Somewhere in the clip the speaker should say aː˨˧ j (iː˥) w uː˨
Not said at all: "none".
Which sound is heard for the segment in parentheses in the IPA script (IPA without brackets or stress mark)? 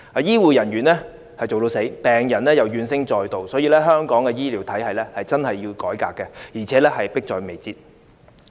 iː˥